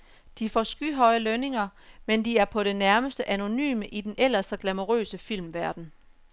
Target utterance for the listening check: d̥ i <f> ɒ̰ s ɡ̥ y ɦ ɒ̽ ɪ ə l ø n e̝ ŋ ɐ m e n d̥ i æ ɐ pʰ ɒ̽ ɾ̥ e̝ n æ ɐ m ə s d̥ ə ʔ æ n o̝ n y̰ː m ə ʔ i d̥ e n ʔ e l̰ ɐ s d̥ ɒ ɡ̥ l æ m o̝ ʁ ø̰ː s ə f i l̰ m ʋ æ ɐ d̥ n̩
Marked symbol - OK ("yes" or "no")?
yes